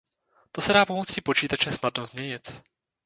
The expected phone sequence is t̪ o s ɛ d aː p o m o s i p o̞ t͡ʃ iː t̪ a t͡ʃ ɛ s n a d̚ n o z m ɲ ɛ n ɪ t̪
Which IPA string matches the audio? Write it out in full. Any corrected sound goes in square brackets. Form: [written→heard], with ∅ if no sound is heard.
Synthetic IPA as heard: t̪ o s ɛ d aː p o m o [s→t͡s] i p o̞ t͡ʃ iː t̪ a t͡ʃ ɛ s n a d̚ n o z m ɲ ɛ [n→ɲ] ɪ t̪

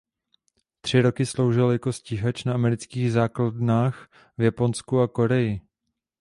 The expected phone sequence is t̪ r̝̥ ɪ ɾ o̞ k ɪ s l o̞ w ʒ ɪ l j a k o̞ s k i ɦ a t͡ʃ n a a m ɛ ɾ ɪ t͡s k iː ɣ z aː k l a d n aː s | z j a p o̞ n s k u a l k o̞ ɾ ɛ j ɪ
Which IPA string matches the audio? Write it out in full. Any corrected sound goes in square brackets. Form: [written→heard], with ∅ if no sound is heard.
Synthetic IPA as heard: t̪ r̝̥ ɪ ɾ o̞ k ɪ s l o̞ w ʒ ɪ l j a k o̞ s [k→c] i ɦ a t͡ʃ n a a m ɛ ɾ ɪ t͡s k iː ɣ z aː k l a d n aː [s→x] | [z→v] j a p o̞ n s k u a [l→∅] k o̞ ɾ ɛ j ɪ

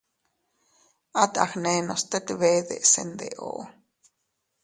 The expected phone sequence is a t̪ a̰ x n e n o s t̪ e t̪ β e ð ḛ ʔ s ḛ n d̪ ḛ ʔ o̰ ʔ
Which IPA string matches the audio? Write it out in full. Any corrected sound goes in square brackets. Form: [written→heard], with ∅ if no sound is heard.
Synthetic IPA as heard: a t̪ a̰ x n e n o s t̪ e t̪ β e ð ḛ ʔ s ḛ n d̪ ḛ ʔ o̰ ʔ

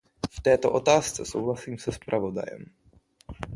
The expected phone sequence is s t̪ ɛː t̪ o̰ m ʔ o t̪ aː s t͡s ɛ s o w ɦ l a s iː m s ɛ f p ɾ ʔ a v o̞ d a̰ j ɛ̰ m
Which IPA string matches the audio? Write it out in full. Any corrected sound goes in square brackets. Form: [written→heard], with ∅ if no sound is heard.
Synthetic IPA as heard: [s→f] t̪ ɛː t̪ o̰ [m→∅] ʔ o t̪ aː s t͡s ɛ s o w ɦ l a s iː m s ɛ [f→s] p ɾ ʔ a v o̞ d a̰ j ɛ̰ m

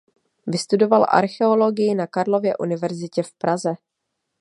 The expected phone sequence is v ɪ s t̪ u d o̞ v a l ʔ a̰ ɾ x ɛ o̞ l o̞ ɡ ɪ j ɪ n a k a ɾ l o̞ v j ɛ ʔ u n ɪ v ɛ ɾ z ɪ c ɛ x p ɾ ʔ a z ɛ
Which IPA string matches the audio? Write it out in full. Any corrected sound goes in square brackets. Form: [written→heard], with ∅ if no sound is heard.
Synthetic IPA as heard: v ɪ s t̪ u d o̞ v a l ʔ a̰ ɾ x ɛ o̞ l o̞ ɡ ɪ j ɪ n a k a ɾ l o̞ v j ɛ ʔ u n ɪ v ɛ ɾ z ɪ c ɛ [x→f] p ɾ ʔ a z ɛ

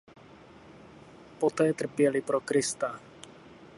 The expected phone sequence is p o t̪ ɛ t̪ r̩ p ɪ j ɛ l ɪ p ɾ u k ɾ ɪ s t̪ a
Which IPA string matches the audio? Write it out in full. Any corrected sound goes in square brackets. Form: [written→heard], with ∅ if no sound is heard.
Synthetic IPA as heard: p o t̪ [ɛ→ɛː] t̪ r̩ p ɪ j ɛ l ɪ p ɾ [u→o] k ɾ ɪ s t̪ a

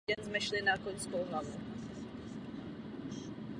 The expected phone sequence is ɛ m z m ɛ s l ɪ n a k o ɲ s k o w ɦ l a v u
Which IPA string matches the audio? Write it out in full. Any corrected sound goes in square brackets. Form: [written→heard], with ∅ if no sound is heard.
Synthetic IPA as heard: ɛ [m→n] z m ɛ [s→ʃ] l ɪ n a k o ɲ s k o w ɦ l a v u

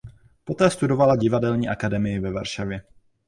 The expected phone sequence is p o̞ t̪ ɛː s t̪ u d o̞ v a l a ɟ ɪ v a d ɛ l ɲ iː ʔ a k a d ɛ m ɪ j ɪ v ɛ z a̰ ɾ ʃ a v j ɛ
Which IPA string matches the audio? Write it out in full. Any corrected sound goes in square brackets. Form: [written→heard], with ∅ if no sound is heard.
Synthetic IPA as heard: p o̞ t̪ ɛː s t̪ u d o̞ v a l a ɟ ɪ v a d ɛ l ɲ iː ʔ a k a d ɛ m ɪ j ɪ v ɛ [z→v] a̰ ɾ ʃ a v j ɛ

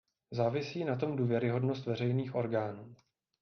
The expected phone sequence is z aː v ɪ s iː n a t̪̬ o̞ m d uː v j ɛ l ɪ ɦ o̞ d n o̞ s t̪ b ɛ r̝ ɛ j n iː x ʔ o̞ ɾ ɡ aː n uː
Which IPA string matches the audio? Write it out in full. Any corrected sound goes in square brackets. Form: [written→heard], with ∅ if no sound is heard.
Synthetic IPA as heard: z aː v ɪ s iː n a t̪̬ o̞ m d uː v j ɛ [l→ɾ] ɪ ɦ o̞ d n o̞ s t̪ [b→v] ɛ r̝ ɛ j n iː x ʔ o̞ ɾ ɡ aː n uː

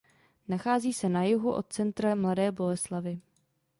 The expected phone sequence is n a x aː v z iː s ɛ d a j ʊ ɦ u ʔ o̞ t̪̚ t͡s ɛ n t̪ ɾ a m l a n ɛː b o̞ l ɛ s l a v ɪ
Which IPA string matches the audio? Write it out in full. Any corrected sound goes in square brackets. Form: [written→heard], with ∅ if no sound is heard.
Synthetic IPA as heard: n a x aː [v→∅] z iː s ɛ [d→n] a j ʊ ɦ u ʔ o̞ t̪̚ t͡s ɛ n t̪ ɾ a m l a [n→d] ɛː b o̞ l ɛ s l a v ɪ

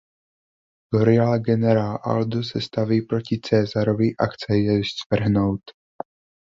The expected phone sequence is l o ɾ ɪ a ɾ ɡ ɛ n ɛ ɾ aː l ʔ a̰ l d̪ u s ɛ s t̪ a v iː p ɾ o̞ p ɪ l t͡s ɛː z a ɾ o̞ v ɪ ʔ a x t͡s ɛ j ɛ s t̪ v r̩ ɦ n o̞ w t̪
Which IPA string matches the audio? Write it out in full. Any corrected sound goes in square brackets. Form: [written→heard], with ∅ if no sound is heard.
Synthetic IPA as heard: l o ɾ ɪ a [ɾ→l] ɡ ɛ n ɛ ɾ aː l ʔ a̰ l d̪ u s ɛ s t̪ a v iː p ɾ o̞ [p→c] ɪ [l→∅] t͡s ɛː z a ɾ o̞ v ɪ ʔ a x t͡s ɛ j ɛ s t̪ v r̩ ɦ n o̞ w t̪

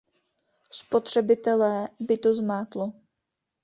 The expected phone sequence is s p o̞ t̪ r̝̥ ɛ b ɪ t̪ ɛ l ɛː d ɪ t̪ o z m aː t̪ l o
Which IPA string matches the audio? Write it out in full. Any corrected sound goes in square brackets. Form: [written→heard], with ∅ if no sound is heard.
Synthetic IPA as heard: s p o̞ t̪ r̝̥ ɛ b ɪ t̪ ɛ l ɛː [d→b] ɪ t̪ o z m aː t̪ l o

